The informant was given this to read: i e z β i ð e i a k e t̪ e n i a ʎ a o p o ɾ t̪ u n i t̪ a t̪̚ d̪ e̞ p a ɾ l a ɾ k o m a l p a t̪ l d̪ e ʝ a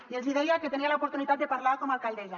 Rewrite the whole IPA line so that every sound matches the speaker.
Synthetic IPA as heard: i e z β i ð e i a k e t̪ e n i a l a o p o ɾ t̪ u n i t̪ a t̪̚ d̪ e̞ p a ɾ l a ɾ k o m a l k a l d̪ e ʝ a